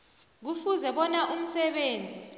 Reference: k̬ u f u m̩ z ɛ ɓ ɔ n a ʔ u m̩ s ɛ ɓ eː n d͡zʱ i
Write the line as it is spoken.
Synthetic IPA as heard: k̬ u f u z ɛ ɓ ɔ n a ʔ u m̩ s ɛ ɓ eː n d͡zʱ i